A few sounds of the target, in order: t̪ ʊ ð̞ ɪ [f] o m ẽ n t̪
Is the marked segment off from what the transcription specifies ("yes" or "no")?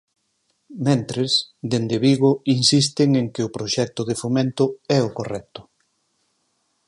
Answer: no